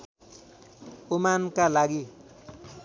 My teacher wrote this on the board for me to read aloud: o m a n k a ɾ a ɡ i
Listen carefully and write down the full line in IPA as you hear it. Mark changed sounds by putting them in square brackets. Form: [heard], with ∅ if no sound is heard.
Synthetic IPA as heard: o m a n k a [l] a ɡ i